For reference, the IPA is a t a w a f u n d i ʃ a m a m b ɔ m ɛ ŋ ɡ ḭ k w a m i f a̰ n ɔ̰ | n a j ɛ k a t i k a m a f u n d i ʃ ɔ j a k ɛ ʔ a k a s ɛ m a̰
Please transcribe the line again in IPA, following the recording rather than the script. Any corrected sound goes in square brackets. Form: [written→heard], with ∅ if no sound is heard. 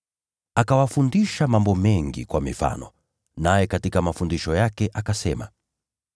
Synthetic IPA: a [t→k] a w a f u n d i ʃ a m a m b ɔ m ɛ ŋ ɡ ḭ k w a m i f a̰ n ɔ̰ | n a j ɛ k a t i k a m a f u n d i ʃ ɔ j a k ɛ ʔ a k a s ɛ m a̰